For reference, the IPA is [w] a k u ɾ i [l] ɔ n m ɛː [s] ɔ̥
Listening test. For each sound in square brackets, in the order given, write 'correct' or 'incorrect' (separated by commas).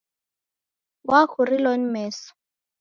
correct, correct, correct